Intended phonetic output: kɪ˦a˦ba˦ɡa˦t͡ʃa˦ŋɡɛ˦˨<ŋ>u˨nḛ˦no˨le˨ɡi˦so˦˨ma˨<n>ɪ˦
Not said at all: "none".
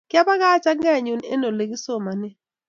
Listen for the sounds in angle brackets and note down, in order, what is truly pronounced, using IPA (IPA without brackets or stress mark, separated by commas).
ɲ, n